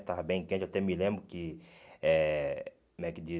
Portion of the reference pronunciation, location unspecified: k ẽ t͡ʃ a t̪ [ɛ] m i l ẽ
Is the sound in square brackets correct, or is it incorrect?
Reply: correct